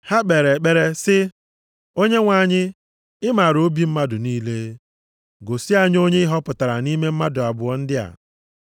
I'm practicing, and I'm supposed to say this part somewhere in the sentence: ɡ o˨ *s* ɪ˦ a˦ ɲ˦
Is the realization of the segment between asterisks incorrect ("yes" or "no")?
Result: no